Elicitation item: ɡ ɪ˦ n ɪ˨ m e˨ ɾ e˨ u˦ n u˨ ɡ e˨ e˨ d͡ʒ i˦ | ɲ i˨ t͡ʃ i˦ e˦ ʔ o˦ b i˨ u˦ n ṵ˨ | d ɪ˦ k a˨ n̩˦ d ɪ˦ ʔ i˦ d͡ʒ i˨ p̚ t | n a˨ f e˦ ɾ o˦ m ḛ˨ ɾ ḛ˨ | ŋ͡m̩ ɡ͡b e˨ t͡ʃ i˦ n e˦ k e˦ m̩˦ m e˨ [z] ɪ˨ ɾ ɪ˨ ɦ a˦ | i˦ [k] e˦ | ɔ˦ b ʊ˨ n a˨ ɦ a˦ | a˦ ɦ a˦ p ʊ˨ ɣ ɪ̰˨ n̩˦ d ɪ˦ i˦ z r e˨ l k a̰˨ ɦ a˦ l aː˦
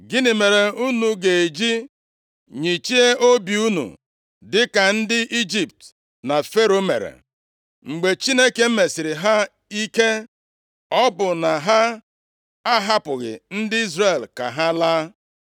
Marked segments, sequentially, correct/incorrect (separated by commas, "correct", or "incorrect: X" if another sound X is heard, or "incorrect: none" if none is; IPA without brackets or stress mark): incorrect: s, correct